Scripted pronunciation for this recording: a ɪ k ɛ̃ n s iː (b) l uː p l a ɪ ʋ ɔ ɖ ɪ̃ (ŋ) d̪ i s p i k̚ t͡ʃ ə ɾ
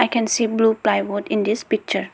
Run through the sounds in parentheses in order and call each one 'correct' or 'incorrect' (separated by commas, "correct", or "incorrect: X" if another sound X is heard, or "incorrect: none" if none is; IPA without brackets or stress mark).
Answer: correct, incorrect: n